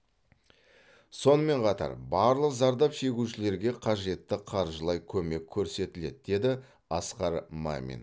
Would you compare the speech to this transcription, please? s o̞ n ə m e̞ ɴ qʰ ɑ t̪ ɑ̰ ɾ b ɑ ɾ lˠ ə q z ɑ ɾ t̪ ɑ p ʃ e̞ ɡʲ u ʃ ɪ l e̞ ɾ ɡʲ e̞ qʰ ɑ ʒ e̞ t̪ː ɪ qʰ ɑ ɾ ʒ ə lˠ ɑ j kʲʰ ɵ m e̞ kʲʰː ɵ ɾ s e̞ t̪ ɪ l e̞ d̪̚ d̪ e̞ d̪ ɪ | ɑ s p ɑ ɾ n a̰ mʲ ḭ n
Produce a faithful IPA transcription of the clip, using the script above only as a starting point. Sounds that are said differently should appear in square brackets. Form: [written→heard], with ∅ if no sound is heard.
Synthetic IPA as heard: s o̞ n ə m e̞ ɴ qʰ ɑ t̪ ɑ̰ ɾ b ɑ ɾ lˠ ə q z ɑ ɾ [t̪→d̪] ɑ p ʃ e̞ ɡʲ u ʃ ɪ l e̞ ɾ ɡʲ e̞ qʰ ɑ ʒ e̞ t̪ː ɪ qʰ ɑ ɾ ʒ ə lˠ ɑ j kʲʰ ɵ m e̞ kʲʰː ɵ ɾ s e̞ t̪ ɪ l e̞ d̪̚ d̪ e̞ d̪ ɪ | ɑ s [p→q] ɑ ɾ [n→m] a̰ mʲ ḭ n

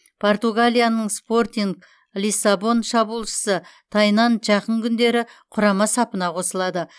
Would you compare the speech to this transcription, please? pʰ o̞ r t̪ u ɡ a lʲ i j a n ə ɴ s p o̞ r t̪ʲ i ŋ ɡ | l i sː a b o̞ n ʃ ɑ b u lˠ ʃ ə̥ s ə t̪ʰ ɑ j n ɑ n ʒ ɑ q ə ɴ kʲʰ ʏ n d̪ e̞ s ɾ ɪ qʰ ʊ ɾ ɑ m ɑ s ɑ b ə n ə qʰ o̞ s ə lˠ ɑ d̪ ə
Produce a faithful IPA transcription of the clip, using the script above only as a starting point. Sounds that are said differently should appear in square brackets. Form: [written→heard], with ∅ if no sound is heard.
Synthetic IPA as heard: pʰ o̞ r t̪ u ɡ a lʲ i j a n ə ɴ s p o̞ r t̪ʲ i ŋ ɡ | l i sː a b o̞ n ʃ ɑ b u lˠ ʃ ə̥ s ə t̪ʰ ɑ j n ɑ n ʒ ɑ q ə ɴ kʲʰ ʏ n d̪ e̞ [s→∅] ɾ ɪ qʰ ʊ ɾ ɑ m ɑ s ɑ [b→p] ə n [ə→ɑ] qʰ o̞ s ə lˠ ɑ d̪ ə

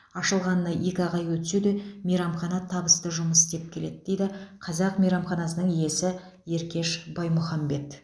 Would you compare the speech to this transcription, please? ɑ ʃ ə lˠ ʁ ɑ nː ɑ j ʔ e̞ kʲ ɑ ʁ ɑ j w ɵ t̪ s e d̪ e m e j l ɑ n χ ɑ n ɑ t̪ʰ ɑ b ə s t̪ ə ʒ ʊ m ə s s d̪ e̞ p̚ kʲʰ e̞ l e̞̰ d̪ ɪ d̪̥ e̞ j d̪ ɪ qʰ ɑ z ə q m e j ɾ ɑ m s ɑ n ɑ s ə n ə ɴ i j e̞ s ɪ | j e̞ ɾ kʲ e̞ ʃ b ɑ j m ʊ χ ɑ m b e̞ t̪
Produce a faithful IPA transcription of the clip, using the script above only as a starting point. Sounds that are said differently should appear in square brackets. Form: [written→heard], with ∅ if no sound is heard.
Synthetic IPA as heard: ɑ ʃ ə lˠ ʁ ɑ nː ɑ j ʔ e̞ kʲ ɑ ʁ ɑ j w ɵ t̪ s e d̪ e m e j [l→ɾ] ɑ [n→m] χ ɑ n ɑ t̪ʰ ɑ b ə s t̪ ə ʒ ʊ m ə s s [d̪→t̪] e̞ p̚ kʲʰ e̞ l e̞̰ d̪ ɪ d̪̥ e̞ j d̪ ɪ qʰ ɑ z [ə→ɑ] q m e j ɾ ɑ m [s→χ] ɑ n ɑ s ə n ə ɴ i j e̞ s ɪ | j e̞ ɾ kʲ e̞ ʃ b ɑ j m ʊ χ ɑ m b e̞ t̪

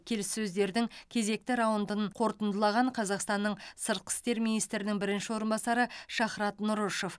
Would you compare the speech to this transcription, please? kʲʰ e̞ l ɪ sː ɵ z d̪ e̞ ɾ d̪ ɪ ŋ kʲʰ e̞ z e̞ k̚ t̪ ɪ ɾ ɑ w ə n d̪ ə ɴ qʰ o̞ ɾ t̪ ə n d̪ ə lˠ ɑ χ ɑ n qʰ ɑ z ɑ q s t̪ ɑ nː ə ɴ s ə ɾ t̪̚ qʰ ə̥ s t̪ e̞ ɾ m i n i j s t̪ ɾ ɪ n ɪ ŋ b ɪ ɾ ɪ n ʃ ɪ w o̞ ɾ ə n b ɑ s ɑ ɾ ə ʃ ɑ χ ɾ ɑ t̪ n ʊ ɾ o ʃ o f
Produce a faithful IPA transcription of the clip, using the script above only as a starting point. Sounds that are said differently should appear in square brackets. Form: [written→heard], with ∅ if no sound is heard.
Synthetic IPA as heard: kʲʰ e̞ l ɪ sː ɵ z d̪ e̞ ɾ d̪ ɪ ŋ kʲʰ e̞ z e̞ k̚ t̪ ɪ ɾ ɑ w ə n d̪ ə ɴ qʰ o̞ ɾ t̪ ə n d̪ ə lˠ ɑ [χ→ʁ] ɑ [n→ɴ] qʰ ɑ z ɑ q s t̪ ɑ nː ə ɴ s ə ɾ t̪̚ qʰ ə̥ s t̪ e̞ ɾ m i n i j s t̪ ɾ ɪ n ɪ ŋ b ɪ ɾ ɪ n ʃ ɪ w o̞ ɾ ə n b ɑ s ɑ ɾ ə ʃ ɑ χ ɾ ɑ t̪ n ʊ ɾ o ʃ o f

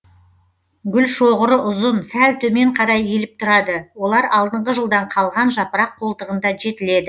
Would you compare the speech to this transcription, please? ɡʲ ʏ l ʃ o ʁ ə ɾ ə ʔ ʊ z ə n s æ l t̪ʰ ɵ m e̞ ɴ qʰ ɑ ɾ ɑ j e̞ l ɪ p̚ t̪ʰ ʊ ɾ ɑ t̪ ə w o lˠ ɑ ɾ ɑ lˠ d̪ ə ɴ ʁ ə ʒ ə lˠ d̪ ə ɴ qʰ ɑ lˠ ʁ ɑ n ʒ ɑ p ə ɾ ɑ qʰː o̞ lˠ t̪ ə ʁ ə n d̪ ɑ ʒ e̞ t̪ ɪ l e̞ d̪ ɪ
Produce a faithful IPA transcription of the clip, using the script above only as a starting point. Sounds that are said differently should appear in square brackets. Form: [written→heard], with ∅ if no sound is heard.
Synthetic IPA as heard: ɡʲ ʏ l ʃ o ʁ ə ɾ ə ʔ ʊ z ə n s æ l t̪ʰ ɵ m e̞ ɴ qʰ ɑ ɾ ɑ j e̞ l ɪ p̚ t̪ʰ ʊ ɾ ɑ [t̪→d̪] ə w o lˠ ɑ ɾ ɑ lˠ d̪ ə ɴ ʁ ə ʒ ə lˠ d̪ [ə→ɑ] ɴ qʰ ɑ lˠ ʁ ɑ n ʒ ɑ p ə ɾ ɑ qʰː o̞ lˠ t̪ ə ʁ ə n d̪ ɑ ʒ e̞ t̪ ɪ l e̞ d̪ ɪ

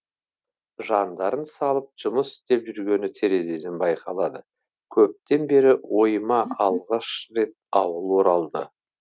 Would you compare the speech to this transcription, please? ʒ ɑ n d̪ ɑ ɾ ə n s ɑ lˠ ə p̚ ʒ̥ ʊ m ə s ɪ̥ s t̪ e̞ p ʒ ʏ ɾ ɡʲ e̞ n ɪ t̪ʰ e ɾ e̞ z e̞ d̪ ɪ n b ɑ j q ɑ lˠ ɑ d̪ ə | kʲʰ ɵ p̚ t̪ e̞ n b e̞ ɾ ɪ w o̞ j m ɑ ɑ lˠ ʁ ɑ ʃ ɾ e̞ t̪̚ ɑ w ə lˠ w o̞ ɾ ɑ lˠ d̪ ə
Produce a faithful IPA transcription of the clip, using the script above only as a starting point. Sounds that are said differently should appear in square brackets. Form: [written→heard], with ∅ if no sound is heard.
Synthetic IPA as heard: ʒ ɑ n d̪ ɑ ɾ ə n s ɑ lˠ ə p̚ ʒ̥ ʊ m ə s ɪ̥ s t̪ e̞ p ʒ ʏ ɾ ɡʲ e̞ n ɪ t̪ʰ e ɾ e̞ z e̞ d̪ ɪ n b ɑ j q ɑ lˠ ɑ d̪ ə | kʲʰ ɵ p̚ t̪ e̞ n b e̞ ɾ ɪ w o̞ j m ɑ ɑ lˠ ʁ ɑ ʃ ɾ e̞ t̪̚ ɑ w ə lˠ w o̞ ɾ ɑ lˠ d̪ ə

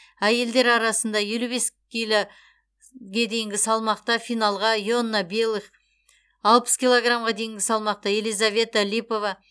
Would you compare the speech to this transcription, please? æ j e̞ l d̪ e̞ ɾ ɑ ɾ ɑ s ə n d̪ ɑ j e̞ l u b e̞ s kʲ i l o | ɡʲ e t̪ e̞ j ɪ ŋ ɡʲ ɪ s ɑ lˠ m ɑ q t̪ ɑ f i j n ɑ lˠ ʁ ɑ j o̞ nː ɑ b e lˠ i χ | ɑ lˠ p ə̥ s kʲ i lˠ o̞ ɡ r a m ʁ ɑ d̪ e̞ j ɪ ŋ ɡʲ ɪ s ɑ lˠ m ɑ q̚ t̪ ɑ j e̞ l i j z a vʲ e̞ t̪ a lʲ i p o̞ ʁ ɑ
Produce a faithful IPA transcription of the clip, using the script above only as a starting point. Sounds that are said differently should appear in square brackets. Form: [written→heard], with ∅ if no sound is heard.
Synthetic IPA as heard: æ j e̞ l d̪ e̞ ɾ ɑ ɾ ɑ s ə n d̪ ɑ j e̞ l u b e̞ s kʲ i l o | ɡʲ e [t̪→d̪] e̞ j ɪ ŋ ɡʲ ɪ s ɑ lˠ m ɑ q t̪ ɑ f i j n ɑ lˠ ʁ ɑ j o̞ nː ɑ b e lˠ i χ | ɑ lˠ p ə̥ s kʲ i lˠ o̞ ɡ r a m ʁ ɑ d̪ e̞ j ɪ ŋ ɡʲ ɪ s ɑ lˠ m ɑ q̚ t̪ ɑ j e̞ l i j z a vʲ e̞ t̪ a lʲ i p o̞ [ʁ→v] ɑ

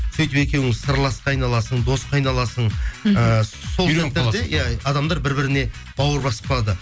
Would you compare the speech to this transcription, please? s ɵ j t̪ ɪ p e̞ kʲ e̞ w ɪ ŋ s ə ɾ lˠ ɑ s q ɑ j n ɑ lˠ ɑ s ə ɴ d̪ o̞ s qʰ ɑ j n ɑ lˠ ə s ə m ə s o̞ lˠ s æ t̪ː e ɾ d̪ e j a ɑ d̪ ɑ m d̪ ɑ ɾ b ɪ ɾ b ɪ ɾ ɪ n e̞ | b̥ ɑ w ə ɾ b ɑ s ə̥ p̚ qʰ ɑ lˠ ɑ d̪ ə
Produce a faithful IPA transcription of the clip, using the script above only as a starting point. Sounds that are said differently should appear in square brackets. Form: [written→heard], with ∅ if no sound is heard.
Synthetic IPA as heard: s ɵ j t̪ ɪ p e̞ kʲ e̞ w ɪ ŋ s ə ɾ lˠ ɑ s q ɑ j n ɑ lˠ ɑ s ə ɴ d̪ o̞ s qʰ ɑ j n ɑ lˠ [ə→ɑ] s ə [m→ɴ] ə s o̞ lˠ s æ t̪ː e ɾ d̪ e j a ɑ d̪ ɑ m d̪ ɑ ɾ b ɪ ɾ b ɪ ɾ ɪ n e̞ | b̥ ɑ w ə ɾ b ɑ s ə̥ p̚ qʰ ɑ lˠ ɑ d̪ ə

